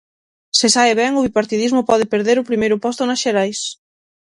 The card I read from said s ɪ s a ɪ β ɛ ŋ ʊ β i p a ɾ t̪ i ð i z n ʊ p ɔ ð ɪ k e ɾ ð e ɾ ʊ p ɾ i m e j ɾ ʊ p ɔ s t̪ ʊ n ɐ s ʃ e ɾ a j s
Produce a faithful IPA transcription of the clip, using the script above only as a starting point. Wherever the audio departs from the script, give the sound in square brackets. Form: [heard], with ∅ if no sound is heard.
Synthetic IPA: s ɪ s a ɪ β ɛ ŋ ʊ β i p a ɾ t̪ i ð i z [m] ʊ p ɔ ð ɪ [p] e ɾ ð e ɾ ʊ p ɾ i m e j ɾ ʊ p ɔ s t̪ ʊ n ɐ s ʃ e ɾ a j s